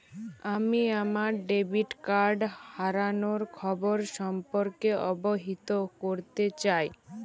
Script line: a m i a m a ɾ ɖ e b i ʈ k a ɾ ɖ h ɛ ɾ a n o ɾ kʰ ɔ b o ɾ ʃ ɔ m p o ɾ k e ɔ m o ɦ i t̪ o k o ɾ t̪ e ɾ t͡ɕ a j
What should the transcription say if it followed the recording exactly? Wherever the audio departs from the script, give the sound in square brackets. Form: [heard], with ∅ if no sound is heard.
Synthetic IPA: a m i a m a ɾ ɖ e b i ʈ k a ɾ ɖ h [a] ɾ a n o ɾ kʰ ɔ b o ɾ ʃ ɔ m p o ɾ k e ɔ [b] o ɦ i t̪ o k o ɾ t̪ e [∅] t͡ɕ a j